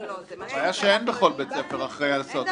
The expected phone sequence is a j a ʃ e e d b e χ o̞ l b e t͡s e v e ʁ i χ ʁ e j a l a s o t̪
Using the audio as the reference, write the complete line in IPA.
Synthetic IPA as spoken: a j a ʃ e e n b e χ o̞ l b e t͡s e f e ʁ a χ ʁ e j a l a s o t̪